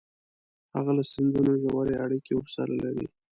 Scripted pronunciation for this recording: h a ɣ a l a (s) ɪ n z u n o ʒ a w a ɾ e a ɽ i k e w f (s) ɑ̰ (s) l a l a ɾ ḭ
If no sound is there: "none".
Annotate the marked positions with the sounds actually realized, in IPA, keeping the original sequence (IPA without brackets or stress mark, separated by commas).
s, s, none